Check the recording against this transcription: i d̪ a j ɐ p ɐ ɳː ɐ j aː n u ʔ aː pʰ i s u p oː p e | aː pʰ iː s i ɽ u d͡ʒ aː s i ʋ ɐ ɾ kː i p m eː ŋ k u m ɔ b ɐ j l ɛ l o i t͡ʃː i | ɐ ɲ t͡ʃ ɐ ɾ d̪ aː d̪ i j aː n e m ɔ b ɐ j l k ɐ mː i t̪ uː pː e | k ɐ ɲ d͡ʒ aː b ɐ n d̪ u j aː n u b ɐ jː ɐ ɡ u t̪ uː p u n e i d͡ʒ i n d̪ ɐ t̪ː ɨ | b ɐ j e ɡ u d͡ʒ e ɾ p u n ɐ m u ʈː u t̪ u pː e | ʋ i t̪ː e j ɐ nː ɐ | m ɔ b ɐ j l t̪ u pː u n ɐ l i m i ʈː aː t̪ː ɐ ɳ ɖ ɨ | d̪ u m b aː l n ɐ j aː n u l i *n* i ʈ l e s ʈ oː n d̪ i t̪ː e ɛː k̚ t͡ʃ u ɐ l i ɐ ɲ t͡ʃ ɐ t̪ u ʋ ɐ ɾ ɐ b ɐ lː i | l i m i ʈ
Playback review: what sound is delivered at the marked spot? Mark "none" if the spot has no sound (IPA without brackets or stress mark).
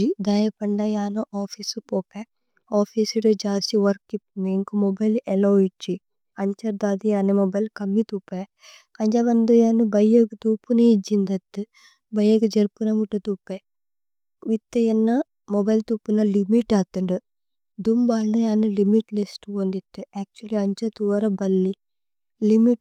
m